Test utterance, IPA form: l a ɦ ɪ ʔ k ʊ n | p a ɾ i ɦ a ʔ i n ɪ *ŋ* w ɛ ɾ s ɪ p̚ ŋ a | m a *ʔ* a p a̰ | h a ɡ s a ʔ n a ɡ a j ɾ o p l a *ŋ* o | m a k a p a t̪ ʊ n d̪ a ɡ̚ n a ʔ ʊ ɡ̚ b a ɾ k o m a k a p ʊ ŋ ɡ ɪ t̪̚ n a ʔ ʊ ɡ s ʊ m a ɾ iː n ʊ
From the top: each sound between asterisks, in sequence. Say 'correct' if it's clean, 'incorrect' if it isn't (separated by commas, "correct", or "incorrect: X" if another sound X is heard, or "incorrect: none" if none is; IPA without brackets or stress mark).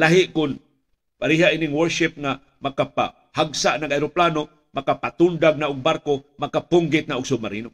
correct, incorrect: k, incorrect: n